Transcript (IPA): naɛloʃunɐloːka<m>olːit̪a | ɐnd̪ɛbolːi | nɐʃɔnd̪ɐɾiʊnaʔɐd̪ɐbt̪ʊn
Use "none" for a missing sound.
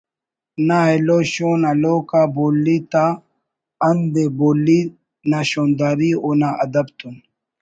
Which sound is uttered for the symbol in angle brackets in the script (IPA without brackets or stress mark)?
b